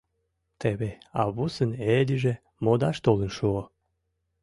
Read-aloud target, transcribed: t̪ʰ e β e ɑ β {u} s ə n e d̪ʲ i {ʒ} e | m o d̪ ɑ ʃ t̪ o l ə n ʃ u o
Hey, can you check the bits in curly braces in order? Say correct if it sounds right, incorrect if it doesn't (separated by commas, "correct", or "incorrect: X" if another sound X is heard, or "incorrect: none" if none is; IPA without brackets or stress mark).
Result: correct, correct